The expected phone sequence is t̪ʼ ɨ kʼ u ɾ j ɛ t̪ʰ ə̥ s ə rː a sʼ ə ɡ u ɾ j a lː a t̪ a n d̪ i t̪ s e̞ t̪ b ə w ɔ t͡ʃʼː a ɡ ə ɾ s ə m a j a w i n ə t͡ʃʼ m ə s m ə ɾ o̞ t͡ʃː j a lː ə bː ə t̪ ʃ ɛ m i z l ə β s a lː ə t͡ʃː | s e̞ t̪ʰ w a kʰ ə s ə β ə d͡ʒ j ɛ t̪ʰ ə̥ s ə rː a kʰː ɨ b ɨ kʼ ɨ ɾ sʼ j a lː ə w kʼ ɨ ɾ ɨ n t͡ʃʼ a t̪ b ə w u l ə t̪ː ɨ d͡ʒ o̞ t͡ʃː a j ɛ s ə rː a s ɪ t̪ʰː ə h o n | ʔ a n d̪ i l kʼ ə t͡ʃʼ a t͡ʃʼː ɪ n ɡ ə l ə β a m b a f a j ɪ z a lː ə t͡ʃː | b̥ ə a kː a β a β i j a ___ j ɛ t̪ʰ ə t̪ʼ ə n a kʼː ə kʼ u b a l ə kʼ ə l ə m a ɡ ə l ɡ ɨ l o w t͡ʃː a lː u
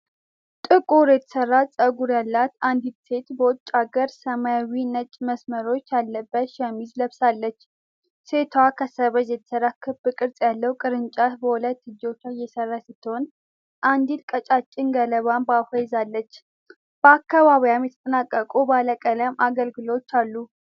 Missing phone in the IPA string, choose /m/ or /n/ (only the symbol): m